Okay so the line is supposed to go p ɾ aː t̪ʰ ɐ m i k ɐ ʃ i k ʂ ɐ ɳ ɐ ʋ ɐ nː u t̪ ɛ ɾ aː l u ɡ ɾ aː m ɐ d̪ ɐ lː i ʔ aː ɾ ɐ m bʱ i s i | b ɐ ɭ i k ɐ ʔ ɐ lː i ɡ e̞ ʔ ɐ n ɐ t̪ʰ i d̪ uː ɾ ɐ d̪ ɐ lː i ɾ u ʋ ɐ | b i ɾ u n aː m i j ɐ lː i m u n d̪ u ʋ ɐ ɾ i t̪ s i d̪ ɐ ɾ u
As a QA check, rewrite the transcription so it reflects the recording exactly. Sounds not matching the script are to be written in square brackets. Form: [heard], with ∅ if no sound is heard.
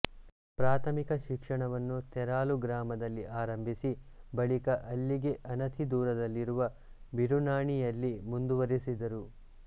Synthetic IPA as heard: p ɾ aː t̪ʰ ɐ m i k ɐ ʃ i k ʂ ɐ ɳ ɐ ʋ ɐ nː u t̪ ɛ ɾ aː l u ɡ ɾ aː m ɐ d̪ ɐ lː i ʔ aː ɾ ɐ m bʱ i s i | b ɐ ɭ i k ɐ ʔ ɐ lː i ɡ e̞ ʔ ɐ n ɐ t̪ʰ i d̪ uː ɾ ɐ d̪ ɐ lː i ɾ u ʋ ɐ | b i ɾ u n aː [ɳ] i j ɐ lː i m u n d̪ u ʋ ɐ ɾ i [∅] s i d̪ ɐ ɾ u

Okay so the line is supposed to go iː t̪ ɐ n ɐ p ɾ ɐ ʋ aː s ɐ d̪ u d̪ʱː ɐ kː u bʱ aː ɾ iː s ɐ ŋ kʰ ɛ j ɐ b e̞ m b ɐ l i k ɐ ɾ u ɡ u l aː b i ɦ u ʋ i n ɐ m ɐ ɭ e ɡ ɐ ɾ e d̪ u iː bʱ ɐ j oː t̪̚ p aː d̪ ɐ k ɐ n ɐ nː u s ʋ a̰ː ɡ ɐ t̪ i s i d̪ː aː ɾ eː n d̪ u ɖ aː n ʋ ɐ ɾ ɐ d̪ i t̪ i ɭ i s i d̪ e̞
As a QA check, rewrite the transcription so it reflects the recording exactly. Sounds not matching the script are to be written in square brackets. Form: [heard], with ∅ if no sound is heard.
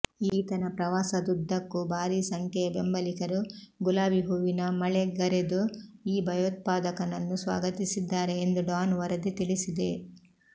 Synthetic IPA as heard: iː t̪ ɐ n ɐ p ɾ ɐ ʋ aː s ɐ d̪ u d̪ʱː ɐ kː u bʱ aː ɾ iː s ɐ ŋ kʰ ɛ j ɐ b e̞ m b ɐ l i k ɐ ɾ u ɡ u l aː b i ɦ u ʋ i n ɐ m ɐ ɭ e ɡ ɐ ɾ e d̪ u iː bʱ ɐ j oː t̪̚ p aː d̪ ɐ k ɐ n ɐ nː u s ʋ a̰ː ɡ ɐ t̪ i s i d̪ː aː ɾ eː n d̪ u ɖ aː n ʋ ɐ ɾ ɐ d̪ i t̪ i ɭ i s i d̪ e̞

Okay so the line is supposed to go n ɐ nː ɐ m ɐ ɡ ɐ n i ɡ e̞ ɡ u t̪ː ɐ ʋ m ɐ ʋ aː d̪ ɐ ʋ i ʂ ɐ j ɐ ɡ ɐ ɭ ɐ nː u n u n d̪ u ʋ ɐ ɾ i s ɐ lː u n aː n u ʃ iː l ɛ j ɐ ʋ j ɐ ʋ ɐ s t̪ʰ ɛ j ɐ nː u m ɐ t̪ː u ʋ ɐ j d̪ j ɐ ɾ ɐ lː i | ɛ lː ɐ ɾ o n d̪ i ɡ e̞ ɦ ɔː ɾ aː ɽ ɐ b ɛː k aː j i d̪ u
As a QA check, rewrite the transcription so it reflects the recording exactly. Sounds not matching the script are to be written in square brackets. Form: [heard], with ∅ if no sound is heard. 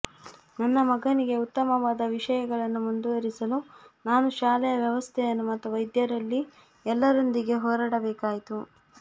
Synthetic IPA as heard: n ɐ nː ɐ m ɐ ɡ ɐ n i ɡ e̞ [∅] u t̪ː ɐ [∅] m ɐ ʋ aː d̪ ɐ ʋ i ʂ ɐ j ɐ ɡ ɐ ɭ ɐ nː u [m] u n d̪ u ʋ ɐ ɾ i s ɐ [l] u n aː n u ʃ [aː] l ɛ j ɐ ʋ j ɐ ʋ ɐ s t̪ʰ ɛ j ɐ nː u m ɐ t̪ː u ʋ ɐ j d̪ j ɐ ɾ ɐ lː i | ɛ lː ɐ ɾ o n d̪ i ɡ e̞ ɦ ɔː ɾ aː ɽ ɐ b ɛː k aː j i [t̪] u

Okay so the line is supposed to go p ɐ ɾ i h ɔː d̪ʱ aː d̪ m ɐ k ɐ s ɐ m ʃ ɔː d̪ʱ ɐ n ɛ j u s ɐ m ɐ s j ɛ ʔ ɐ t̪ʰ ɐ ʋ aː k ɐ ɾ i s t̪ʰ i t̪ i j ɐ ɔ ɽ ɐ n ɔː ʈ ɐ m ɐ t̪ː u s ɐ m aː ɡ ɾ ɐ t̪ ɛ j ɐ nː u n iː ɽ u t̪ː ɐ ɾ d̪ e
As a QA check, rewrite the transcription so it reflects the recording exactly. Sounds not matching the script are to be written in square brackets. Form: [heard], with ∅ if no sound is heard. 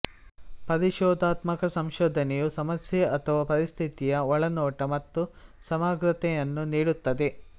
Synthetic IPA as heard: p ɐ ɾ i [ʃ] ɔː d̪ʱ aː [t̪] m ɐ k ɐ s ɐ m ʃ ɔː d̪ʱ ɐ n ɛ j u s ɐ m ɐ s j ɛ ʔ ɐ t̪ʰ ɐ ʋ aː [p] ɐ ɾ i s t̪ʰ i t̪ i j ɐ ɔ [ɭ] ɐ n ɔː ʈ ɐ m ɐ t̪ː u s ɐ m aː ɡ ɾ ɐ t̪ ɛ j ɐ nː u n iː ɽ u t̪ː ɐ [∅] d̪ e

